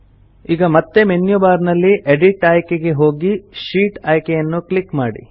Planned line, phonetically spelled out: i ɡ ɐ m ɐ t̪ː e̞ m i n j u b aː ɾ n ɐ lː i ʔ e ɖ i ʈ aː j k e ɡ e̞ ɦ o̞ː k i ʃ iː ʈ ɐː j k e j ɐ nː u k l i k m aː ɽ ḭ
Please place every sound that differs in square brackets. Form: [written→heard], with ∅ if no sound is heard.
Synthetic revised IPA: [i→iː] ɡ ɐ m ɐ t̪ː e̞ m [i→e] n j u b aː ɾ n ɐ lː i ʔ e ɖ i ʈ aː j k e ɡ e̞ ɦ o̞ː [k→ɡ] i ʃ iː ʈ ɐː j k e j ɐ nː u k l i k m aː ɽ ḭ